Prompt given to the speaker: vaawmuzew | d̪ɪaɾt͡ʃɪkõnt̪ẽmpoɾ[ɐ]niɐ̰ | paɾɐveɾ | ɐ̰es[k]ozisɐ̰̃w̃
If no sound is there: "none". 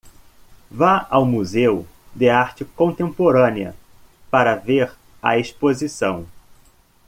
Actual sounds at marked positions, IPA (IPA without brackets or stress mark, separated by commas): ɐ̃, p